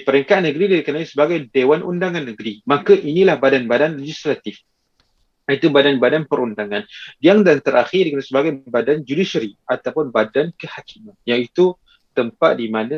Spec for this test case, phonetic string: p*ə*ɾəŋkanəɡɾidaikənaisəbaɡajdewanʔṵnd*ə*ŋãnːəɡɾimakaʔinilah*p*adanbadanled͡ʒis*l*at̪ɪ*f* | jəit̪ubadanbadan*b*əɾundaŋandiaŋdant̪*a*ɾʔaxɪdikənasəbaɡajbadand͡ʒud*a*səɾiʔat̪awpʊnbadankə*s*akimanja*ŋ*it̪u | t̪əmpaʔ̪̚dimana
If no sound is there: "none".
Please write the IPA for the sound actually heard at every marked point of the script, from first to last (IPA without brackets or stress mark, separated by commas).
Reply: ə, a, b, l, f, p, ə, i, h, ŋ